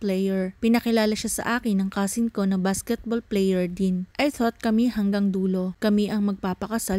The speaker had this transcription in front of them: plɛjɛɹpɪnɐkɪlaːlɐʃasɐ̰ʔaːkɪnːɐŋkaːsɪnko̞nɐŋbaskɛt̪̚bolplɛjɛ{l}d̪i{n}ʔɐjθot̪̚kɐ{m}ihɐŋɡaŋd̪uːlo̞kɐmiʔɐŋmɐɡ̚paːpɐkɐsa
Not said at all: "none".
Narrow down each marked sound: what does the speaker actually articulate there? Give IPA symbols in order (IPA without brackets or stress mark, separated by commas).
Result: ɹ, n, m